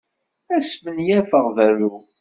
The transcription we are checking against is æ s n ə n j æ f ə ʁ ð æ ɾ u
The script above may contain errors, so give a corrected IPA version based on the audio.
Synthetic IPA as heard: æ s m ə n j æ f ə ʁ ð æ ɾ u